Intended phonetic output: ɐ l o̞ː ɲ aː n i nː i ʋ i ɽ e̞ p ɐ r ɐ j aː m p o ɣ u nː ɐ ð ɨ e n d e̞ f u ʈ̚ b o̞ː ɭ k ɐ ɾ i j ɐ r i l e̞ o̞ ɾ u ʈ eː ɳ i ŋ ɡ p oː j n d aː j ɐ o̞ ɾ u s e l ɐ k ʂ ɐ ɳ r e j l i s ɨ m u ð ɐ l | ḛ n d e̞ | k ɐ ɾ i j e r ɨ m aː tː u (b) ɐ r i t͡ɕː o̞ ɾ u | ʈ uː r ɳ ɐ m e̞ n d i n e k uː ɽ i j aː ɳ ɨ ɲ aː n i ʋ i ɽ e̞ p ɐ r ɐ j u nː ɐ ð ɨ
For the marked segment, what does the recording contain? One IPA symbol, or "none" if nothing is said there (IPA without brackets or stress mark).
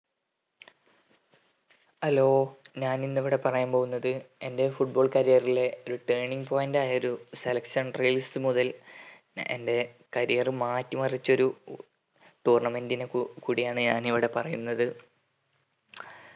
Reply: m